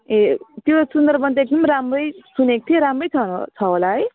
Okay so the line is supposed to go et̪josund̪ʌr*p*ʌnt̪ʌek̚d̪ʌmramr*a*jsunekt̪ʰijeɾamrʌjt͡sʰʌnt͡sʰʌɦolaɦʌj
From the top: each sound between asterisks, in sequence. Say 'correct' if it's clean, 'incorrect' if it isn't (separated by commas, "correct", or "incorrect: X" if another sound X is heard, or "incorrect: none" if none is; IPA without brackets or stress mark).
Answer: incorrect: b, incorrect: ʌ